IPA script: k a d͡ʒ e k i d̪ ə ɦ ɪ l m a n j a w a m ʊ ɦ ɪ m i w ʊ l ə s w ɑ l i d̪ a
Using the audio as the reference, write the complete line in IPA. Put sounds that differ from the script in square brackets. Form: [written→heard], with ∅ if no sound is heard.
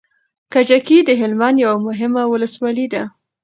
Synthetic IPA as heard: k a d͡ʒ [e→a] k i d̪ ə ɦ ɪ l m a n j a w a m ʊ ɦ ɪ m [i→a] w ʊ l ə s w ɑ l i d̪ a